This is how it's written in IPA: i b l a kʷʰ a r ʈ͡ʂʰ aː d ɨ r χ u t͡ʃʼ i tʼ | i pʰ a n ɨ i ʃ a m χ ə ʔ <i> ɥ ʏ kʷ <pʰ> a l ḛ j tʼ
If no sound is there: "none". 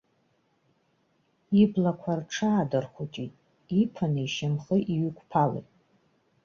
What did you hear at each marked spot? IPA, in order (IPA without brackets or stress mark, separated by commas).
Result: i, pʰ